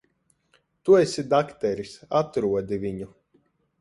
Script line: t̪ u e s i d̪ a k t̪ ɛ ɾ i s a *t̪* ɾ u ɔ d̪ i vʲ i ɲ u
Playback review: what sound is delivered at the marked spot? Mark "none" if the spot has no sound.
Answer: t̪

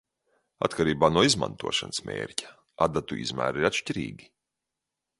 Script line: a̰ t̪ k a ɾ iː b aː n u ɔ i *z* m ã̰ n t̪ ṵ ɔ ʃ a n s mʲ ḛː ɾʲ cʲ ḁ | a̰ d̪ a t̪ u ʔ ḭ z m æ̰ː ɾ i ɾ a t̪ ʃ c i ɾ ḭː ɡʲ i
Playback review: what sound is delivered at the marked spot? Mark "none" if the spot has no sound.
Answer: z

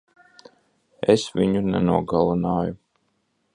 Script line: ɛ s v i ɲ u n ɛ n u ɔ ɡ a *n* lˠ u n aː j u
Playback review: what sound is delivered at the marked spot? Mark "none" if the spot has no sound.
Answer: none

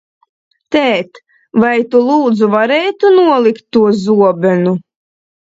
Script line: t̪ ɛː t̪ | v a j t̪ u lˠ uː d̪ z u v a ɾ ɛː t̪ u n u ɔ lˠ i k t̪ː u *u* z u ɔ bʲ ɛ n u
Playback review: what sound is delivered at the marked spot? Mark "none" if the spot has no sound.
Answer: ɔ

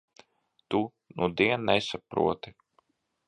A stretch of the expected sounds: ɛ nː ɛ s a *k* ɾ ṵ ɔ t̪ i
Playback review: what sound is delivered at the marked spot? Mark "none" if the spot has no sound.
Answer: p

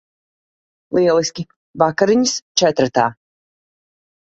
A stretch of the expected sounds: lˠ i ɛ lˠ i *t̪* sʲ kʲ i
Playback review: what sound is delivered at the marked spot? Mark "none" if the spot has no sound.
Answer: none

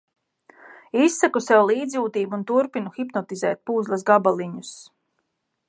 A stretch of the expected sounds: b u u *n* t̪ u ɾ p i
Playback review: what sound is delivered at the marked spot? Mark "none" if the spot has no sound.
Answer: n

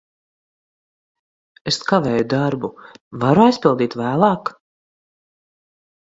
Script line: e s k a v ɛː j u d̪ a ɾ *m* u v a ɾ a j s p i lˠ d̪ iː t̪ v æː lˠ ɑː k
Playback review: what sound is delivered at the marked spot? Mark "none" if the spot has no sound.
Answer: b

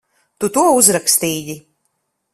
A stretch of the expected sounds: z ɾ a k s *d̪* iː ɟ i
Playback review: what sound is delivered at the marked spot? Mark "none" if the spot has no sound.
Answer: t̪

